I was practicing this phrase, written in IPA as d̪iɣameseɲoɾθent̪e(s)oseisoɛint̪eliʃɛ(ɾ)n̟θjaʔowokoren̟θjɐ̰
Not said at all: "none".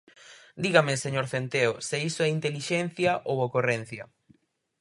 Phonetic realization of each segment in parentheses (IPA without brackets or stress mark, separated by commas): none, none